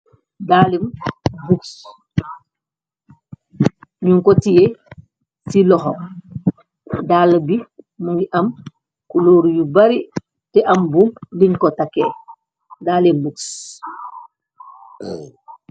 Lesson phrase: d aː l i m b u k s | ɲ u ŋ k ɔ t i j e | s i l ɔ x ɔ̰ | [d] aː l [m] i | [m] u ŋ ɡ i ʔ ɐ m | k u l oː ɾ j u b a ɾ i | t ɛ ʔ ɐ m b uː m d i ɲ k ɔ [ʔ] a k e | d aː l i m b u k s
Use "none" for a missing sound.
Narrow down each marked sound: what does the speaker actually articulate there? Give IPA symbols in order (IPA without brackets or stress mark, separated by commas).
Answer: d, b, m, t